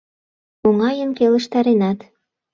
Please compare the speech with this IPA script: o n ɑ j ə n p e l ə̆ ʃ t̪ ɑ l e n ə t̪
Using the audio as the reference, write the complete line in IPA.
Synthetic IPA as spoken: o ŋ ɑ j ə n k e l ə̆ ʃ t̪ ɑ ɾ e n ɑ t̪